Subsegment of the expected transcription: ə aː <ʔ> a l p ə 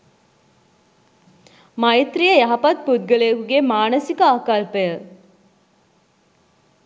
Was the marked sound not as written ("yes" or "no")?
yes